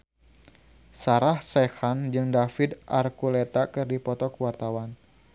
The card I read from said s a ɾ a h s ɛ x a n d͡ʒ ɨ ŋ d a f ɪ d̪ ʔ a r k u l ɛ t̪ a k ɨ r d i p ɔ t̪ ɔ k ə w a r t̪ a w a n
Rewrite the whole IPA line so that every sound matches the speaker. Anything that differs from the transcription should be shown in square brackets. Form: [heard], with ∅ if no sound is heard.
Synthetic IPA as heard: s a ɾ a h s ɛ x a n d͡ʒ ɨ ŋ d a f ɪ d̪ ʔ a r k u l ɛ t̪ a k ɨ r d i p ɔ t̪ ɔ k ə w a r t̪ a w a n